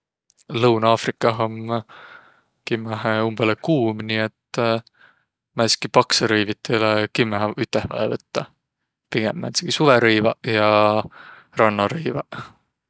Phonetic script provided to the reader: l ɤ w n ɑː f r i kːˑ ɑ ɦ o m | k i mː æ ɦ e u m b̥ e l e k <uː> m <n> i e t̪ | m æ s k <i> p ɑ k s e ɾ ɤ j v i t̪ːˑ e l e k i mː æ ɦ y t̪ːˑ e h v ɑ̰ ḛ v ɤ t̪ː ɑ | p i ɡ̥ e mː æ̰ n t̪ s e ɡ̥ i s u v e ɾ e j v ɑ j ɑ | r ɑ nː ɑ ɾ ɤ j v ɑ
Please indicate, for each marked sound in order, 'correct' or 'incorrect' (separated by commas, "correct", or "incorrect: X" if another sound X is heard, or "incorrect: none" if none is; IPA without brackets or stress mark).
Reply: correct, correct, correct